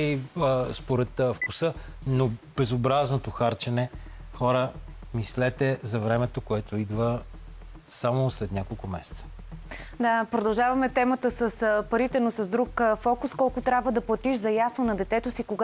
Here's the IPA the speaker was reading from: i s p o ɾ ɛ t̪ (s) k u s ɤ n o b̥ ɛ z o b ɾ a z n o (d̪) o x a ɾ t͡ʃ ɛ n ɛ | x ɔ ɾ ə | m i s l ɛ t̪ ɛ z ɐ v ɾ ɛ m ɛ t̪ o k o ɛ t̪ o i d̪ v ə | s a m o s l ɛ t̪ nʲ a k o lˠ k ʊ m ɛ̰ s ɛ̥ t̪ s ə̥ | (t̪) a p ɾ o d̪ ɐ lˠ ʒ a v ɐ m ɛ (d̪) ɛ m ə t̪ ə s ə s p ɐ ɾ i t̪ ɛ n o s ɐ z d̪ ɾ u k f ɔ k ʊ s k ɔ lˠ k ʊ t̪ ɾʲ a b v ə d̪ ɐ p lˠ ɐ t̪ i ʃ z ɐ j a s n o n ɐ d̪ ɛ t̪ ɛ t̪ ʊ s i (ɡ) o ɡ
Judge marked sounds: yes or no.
no, no, no, no, no

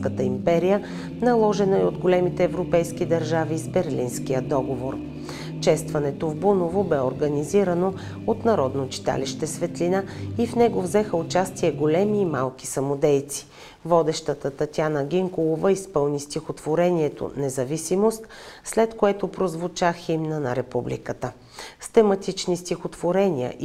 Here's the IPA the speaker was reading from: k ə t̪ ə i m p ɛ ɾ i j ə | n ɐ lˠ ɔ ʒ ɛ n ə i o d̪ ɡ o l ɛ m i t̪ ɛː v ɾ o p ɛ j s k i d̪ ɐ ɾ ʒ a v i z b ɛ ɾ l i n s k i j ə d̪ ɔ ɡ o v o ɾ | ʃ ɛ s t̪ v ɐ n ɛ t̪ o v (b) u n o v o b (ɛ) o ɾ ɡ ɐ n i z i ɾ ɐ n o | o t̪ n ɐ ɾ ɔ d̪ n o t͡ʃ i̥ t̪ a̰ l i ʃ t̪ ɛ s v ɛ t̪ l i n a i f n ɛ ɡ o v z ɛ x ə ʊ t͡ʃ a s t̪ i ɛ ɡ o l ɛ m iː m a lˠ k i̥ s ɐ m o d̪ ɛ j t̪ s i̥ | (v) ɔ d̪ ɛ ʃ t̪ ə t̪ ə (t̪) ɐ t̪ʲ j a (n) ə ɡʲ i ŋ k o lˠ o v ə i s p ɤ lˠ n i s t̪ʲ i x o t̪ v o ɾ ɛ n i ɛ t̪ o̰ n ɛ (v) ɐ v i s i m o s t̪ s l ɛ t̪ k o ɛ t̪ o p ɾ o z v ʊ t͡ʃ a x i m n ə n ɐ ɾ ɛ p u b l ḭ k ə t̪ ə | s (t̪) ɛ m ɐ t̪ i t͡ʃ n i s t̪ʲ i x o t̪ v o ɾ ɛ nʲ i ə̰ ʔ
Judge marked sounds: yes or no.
yes, yes, yes, yes, yes, no, yes

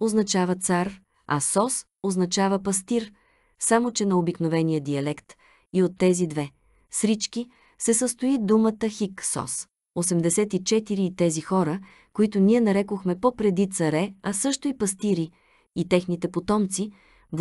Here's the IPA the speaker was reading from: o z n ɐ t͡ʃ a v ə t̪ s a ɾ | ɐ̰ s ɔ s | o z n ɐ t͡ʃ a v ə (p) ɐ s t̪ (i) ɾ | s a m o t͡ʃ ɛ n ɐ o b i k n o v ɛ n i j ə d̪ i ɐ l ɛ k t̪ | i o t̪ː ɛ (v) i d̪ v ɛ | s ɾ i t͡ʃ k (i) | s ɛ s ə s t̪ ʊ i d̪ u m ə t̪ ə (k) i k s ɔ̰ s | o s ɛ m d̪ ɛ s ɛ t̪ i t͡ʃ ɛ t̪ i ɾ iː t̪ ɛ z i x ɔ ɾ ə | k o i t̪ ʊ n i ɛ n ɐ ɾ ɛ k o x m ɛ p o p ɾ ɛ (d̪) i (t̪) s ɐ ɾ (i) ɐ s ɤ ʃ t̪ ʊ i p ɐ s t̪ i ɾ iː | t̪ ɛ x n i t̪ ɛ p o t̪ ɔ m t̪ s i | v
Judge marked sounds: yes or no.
yes, yes, no, yes, no, yes, yes, no

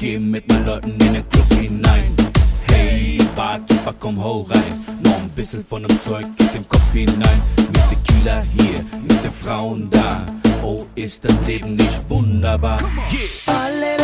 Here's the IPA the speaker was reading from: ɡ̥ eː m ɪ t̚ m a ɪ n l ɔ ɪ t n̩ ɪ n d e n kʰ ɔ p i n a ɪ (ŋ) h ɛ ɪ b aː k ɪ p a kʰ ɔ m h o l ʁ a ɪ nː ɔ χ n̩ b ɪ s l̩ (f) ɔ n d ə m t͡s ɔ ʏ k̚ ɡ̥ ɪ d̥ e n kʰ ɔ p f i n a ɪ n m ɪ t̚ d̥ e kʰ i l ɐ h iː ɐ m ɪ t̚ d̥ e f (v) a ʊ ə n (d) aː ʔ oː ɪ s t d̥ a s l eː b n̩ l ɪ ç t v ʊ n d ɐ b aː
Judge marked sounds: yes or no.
no, yes, no, yes

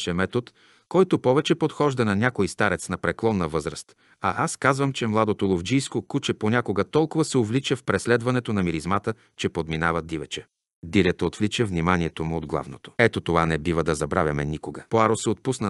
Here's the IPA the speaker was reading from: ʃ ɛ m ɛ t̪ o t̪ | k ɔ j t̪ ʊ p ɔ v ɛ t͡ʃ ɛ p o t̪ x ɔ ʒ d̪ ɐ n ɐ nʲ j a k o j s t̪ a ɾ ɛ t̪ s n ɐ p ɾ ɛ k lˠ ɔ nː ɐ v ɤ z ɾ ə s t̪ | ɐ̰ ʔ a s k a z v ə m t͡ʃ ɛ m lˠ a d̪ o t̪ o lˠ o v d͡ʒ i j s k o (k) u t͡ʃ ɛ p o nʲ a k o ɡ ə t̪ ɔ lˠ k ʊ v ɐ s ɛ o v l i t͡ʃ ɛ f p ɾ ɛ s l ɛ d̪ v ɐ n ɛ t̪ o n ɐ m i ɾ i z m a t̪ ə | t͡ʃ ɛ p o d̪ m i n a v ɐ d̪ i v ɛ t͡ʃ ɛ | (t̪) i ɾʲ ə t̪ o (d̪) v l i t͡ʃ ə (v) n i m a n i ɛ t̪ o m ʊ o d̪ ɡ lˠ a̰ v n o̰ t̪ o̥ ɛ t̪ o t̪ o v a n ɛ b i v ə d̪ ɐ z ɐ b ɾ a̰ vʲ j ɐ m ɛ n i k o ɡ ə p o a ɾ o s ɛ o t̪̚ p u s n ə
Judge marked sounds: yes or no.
yes, no, no, yes

